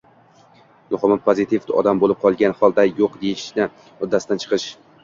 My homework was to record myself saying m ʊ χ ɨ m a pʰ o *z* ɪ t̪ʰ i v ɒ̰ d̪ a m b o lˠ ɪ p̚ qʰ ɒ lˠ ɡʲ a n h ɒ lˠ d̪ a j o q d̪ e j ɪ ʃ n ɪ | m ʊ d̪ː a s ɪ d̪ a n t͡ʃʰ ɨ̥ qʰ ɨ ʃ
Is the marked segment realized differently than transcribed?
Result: no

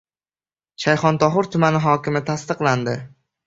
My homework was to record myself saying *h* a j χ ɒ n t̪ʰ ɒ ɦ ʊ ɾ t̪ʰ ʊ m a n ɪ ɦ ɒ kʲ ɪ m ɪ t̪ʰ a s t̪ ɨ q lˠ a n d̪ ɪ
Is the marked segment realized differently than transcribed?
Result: yes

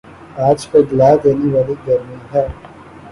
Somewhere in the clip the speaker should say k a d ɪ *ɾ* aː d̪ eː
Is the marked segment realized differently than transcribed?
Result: yes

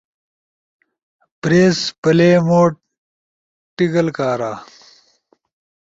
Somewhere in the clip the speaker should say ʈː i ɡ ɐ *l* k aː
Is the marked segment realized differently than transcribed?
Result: no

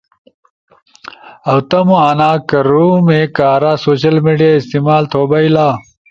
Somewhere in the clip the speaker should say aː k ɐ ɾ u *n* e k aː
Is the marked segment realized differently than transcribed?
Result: yes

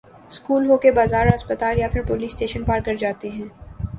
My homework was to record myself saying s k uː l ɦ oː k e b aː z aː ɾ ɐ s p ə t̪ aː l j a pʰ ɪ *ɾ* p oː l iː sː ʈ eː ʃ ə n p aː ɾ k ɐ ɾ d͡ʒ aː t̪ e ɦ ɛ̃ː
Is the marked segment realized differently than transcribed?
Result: no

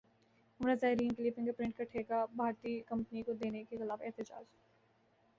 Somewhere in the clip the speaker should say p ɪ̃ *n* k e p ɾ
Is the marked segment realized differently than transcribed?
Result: yes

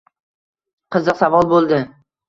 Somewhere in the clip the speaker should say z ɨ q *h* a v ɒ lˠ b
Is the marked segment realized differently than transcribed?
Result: yes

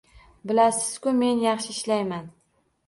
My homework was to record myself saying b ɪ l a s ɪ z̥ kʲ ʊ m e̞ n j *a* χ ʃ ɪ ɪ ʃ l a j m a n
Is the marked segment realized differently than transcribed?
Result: yes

